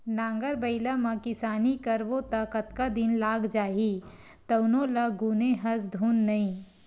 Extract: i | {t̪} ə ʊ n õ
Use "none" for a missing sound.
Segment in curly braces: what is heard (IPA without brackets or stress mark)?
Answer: t̪